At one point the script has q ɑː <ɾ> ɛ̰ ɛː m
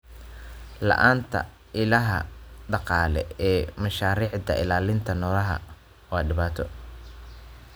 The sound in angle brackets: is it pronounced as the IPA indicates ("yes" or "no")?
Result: no